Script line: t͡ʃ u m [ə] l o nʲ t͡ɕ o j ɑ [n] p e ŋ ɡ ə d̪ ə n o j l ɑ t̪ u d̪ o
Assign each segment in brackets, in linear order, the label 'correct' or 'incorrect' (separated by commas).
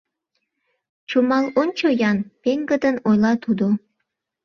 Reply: incorrect, correct